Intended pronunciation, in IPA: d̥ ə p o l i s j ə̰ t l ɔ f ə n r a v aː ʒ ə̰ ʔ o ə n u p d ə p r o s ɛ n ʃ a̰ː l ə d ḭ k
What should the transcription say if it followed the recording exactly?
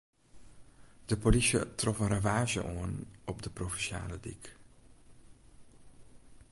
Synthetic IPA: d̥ ə p o l i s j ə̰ t r ɔ f ə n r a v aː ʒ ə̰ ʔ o ə n ɔ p d ə p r o f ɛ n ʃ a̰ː l ə d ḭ k